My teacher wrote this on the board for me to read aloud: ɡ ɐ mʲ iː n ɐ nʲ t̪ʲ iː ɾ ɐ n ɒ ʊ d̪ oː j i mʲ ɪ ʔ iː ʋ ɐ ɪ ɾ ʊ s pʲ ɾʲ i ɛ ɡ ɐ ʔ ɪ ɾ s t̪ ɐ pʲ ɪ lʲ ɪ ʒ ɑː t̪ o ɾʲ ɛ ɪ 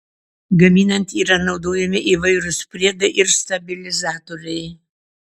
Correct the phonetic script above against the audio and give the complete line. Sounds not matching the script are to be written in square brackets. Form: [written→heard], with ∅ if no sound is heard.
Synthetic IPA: ɡ ɐ mʲ iː n ɐ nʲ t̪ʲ iː ɾ ɐ n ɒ ʊ d̪ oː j [i→ɛ] mʲ ɪ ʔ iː ʋ ɐ ɪ ɾ ʊ s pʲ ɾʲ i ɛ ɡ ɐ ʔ ɪ ɾ s t̪ ɐ [pʲ→bʲ] ɪ lʲ ɪ [ʒ→z] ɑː t̪ o ɾʲ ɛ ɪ